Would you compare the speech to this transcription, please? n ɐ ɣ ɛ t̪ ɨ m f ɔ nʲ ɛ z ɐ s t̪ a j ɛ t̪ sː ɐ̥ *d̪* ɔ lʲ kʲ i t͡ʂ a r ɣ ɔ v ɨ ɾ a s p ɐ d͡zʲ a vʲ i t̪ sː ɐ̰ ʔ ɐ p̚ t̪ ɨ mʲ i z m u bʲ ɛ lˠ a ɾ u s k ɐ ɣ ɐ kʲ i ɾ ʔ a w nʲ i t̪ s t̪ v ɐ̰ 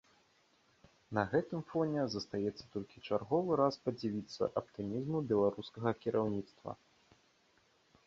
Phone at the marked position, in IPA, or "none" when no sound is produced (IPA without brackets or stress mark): t̪